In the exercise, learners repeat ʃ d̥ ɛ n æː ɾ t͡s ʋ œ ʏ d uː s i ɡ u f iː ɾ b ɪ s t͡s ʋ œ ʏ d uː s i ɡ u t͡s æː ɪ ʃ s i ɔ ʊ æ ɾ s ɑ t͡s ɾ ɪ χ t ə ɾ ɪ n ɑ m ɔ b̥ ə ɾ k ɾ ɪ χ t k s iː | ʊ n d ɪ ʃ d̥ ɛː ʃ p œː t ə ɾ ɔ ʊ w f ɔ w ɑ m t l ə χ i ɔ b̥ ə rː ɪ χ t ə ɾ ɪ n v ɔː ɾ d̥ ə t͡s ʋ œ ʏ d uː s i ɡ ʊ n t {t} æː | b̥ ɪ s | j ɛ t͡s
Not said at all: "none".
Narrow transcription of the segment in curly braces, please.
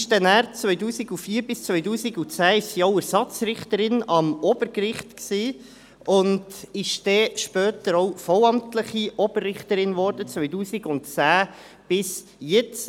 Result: t͡s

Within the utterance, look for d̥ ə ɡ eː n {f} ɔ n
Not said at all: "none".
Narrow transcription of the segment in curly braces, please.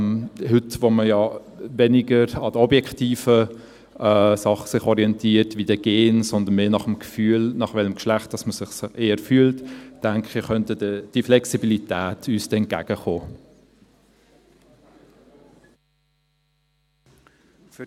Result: s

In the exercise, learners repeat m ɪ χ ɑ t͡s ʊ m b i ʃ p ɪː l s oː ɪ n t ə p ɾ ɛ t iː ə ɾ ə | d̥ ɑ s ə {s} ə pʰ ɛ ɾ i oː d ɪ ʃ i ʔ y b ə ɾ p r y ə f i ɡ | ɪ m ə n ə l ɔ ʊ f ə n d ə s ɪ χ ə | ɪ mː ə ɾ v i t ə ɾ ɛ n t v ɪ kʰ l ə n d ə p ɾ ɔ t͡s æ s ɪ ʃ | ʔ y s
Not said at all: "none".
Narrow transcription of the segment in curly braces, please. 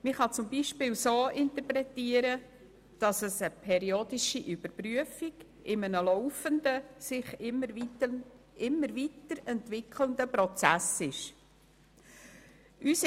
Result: s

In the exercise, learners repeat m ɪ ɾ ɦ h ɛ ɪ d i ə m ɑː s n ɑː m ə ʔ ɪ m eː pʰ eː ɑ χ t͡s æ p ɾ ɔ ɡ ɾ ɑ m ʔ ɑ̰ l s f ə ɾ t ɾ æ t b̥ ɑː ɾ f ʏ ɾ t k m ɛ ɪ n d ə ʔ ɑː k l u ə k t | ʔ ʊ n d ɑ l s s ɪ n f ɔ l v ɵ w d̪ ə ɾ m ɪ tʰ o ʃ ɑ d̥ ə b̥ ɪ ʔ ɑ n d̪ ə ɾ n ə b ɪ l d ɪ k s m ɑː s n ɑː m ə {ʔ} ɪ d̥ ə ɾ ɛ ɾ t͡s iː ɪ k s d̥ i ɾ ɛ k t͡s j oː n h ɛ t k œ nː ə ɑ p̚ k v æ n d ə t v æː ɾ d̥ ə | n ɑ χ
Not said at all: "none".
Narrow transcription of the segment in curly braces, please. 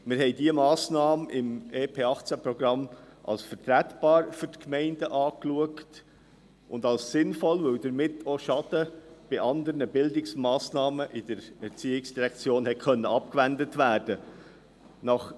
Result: ʔ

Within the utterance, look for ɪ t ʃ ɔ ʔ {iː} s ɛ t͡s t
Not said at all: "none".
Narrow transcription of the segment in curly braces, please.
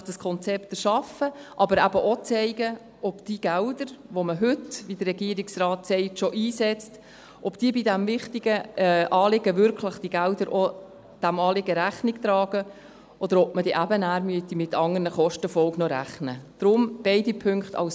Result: iː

